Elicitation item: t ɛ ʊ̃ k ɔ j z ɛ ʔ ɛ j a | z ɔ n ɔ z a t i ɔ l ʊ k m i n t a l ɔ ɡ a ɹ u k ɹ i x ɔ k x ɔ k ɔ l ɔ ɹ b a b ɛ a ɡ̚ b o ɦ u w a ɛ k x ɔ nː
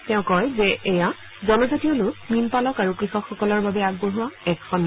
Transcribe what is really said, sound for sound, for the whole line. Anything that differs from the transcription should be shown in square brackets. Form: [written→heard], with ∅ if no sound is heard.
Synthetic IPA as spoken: t ɛ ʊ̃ k ɔ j z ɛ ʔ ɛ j a | z ɔ n ɔ z a t i ɔ l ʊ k m i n [t→p] a l ɔ [ɡ→k] a ɹ u k ɹ i x ɔ k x ɔ k ɔ l ɔ ɹ b a b ɛ a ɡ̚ b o ɦ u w a ɛ k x ɔ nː